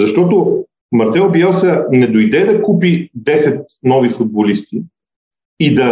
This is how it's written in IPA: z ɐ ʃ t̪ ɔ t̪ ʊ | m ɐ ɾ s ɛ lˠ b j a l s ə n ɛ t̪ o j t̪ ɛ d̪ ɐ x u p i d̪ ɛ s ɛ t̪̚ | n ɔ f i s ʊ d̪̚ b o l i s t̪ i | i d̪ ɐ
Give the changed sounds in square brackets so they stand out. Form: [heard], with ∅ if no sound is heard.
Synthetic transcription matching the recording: z ɐ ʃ t̪ ɔ t̪ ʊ | m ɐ ɾ s ɛ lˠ b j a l s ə n ɛ [d̪] o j [d̪] ɛ d̪ ɐ [k] u p i d̪ ɛ s ɛ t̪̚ | n ɔ [v] i [f] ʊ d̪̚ b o l i s t̪ i | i d̪ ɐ